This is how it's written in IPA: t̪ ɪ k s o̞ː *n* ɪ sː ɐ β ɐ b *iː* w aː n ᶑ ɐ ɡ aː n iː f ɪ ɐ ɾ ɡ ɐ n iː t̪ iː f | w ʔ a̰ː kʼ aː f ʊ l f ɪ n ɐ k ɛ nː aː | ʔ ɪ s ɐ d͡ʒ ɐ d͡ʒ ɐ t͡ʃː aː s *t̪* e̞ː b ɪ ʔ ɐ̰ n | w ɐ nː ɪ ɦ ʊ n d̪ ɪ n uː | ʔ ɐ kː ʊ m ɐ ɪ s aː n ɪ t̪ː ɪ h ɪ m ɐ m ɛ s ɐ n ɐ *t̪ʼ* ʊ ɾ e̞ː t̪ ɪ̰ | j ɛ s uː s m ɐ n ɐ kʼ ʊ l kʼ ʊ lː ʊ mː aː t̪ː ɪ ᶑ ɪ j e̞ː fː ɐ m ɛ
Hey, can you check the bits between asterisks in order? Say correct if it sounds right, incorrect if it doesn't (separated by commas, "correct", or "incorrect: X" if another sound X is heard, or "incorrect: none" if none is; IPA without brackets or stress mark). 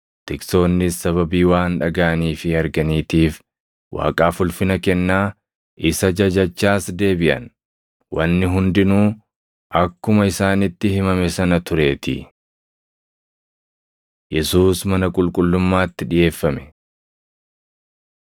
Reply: incorrect: nː, correct, incorrect: d̪, incorrect: t̪